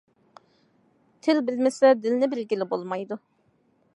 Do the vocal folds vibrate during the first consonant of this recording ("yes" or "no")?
no